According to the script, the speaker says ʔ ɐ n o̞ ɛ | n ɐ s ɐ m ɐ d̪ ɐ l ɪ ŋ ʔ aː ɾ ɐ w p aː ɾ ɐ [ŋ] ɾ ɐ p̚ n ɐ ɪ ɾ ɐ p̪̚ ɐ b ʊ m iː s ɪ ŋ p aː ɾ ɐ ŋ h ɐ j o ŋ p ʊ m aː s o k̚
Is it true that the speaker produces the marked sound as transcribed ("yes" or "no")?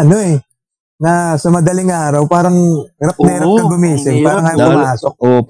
yes